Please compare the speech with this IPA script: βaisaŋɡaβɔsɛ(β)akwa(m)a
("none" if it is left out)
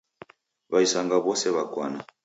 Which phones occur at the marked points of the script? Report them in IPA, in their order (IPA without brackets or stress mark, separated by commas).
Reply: β, n